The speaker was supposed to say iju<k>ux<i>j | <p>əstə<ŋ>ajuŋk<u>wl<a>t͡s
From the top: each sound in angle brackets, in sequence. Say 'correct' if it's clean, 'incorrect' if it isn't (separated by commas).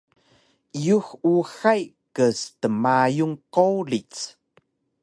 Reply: incorrect, incorrect, incorrect, incorrect, incorrect, incorrect